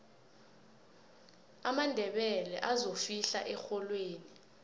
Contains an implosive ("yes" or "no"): yes